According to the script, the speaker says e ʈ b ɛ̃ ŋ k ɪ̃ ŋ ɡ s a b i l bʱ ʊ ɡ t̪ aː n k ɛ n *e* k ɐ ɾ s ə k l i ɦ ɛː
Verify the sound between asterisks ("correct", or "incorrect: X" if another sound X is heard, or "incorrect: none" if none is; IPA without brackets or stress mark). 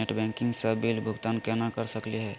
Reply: incorrect: a